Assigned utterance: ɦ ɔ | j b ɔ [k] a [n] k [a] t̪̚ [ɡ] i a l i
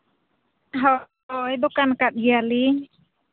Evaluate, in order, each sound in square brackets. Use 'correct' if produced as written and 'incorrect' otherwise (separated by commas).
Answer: correct, correct, correct, correct